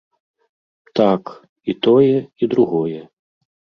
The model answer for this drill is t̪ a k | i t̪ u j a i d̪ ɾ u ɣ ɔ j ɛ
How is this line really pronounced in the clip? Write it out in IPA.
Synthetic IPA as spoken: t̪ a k | i t̪ ɔ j ɛ i d̪ ɾ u ɣ ɔ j ɛ

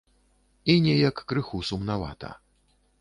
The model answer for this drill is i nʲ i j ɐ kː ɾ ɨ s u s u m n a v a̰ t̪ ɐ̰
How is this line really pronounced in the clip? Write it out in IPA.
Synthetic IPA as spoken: i nʲ ɛ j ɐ kː ɾ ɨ x u s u m n a v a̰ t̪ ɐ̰

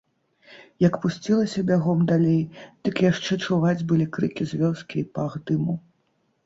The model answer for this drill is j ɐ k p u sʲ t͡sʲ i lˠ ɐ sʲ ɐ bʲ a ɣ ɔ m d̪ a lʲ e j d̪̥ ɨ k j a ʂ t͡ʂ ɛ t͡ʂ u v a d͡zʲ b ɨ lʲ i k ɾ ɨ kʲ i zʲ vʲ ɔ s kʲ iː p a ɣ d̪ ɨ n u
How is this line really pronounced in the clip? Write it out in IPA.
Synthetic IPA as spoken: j ɐ k p u sʲ t͡sʲ i lˠ ɐ sʲ ɐ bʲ a ɣ ɔ m d̪ a lʲ e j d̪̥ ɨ k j a ʂ t͡ʂ ɛ t͡ʂ u v a d͡zʲ b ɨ lʲ i k ɾ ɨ kʲ i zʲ vʲ ɔ s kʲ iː p a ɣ d̪ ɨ m u

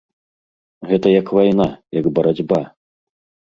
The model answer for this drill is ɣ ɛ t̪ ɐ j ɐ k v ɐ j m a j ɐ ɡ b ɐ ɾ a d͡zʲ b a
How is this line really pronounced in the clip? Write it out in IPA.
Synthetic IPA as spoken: ɣ ɛ t̪ ɐ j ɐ k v a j n a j ɐ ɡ b ɐ ɾ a d͡zʲ b a

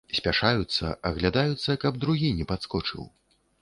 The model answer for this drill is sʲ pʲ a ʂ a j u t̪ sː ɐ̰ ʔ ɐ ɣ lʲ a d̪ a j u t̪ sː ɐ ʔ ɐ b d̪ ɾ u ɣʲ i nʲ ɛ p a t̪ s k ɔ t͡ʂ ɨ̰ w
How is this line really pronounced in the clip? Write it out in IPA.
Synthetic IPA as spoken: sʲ pʲ a ʂ a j u t̪ sː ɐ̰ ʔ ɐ ɣ lʲ a d̪ a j u t̪ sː ɐ k ɐ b d̪ ɾ u ɣʲ i nʲ ɛ p a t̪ s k ɔ t͡ʂ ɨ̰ w

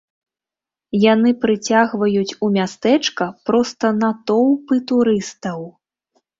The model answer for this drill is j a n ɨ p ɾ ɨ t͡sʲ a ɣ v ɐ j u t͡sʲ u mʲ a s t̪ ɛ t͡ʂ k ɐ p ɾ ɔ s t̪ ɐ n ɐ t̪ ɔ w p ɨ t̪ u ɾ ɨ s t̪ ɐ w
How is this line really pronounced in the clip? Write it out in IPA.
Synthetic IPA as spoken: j a n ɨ p ɾ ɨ t͡sʲ a ɣ v ɐ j u t͡sʲ u mʲ a s t̪ ɛ t͡ʂ k ɐ p ɾ ɔ s t̪ ɐ n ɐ t̪ ɔ w p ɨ t̪ u ɾ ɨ s t̪ ɐ w

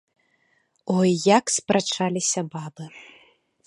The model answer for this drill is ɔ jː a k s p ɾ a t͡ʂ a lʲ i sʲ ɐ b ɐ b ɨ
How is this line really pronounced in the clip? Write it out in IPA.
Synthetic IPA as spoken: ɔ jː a k s p ɾ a t͡ʂ a lʲ i sʲ ɐ b a b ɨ

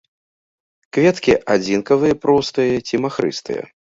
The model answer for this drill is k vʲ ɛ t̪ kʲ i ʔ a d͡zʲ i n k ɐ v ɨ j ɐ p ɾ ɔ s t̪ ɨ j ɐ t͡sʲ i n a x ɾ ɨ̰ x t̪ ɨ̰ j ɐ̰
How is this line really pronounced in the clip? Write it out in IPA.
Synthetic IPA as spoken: k vʲ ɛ t̪ kʲ i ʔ a d͡zʲ i n k ɐ v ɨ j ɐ p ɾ ɔ s t̪ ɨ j ɐ t͡sʲ i m a x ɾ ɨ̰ s t̪ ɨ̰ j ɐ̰

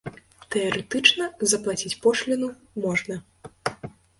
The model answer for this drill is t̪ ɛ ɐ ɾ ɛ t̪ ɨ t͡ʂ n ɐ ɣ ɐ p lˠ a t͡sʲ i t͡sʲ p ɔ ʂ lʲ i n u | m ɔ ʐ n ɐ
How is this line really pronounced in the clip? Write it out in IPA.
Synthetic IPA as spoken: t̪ ɛ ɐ ɾ ɛ t̪ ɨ t͡ʂ n ɐ z ɐ p lˠ a t͡sʲ i t͡sʲ p ɔ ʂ lʲ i n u | m ɔ ʐ n ɐ

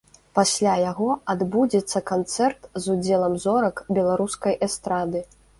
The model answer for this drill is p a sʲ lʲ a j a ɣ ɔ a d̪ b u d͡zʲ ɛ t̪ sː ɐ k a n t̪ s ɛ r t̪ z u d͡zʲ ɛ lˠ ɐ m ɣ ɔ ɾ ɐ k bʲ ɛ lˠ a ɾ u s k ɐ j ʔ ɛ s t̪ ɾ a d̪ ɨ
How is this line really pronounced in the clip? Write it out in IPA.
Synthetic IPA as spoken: p a sʲ lʲ a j a ɣ ɔ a d̪ b u d͡zʲ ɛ t̪ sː ɐ k a n t̪ s ɛ r t̪ z u d͡zʲ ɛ lˠ ɐ m z ɔ ɾ ɐ k bʲ ɛ lˠ a ɾ u s k ɐ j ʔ ɛ s t̪ ɾ a d̪ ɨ

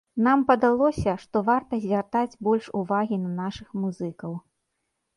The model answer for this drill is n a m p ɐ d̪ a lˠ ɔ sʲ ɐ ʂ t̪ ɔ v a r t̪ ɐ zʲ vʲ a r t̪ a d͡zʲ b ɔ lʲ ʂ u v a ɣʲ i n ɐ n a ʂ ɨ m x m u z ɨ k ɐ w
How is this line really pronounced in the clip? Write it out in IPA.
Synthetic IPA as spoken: n a m p ɐ d̪ a lˠ ɔ sʲ ɐ ʂ t̪ ɔ v a r t̪ ɐ zʲ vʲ a r t̪ a d͡zʲ b ɔ lʲ ʂ u v a ɣʲ i n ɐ n a ʂ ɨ x m u z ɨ k ɐ w

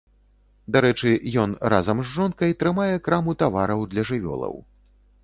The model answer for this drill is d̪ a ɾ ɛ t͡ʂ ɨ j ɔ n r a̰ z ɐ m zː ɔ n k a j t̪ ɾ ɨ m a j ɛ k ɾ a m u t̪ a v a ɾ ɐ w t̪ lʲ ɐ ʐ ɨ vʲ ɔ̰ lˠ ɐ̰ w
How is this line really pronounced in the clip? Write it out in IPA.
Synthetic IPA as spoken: d̪ a ɾ ɛ t͡ʂ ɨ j ɔ n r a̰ z ɐ m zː ɔ n k ɐ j t̪ ɾ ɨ m a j ɛ k ɾ a m u t̪ a v a ɾ ɐ w d̪ lʲ ɐ ʐ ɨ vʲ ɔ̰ lˠ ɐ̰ w

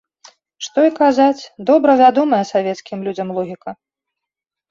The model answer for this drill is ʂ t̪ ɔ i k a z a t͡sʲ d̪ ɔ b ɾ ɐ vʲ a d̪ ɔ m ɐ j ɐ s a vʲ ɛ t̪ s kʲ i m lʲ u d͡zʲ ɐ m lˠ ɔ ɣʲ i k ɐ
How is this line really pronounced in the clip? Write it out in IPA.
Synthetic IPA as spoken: ʂ t̪ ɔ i k a z a t͡sʲ d̪ ɔ b ɾ ɐ vʲ a d̪ ɔ m ɐ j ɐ s a vʲ ɛ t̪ s kʲ i m lʲ u d͡zʲ ɐ m lˠ ɔ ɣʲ i k ɐ

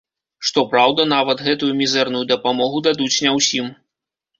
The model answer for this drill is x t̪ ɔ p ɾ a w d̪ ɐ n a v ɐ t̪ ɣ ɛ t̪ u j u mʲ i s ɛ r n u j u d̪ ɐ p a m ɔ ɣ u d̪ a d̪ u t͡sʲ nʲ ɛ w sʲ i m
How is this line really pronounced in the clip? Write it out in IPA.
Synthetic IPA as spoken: ʂ t̪ ɔ p ɾ a w d̪ ɐ n a v ɐ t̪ ɣ ɛ t̪ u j u mʲ i z ɛ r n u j u d̪ ɐ p a m ɔ ɣ u d̪ a d̪ u t͡sʲ nʲ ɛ w sʲ i m

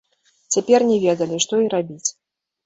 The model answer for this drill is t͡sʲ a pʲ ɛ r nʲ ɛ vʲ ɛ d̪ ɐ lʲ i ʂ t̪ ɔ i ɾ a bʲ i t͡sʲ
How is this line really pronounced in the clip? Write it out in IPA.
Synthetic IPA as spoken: t͡sʲ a pʲ ɛ r nʲ ɛ vʲ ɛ d̪ ɐ lʲ i ʂ t̪ ɔ i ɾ a bʲ i t͡sʲ

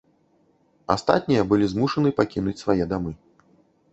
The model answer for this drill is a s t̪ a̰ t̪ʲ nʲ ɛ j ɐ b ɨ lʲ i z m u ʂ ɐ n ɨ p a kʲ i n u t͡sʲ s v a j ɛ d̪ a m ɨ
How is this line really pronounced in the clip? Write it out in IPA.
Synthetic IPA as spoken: a s t̪ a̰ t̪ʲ nʲ i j ɐ b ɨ lʲ i z m u ʂ ɐ n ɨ p a kʲ i n u t͡sʲ s v a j ɛ d̪ a m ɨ

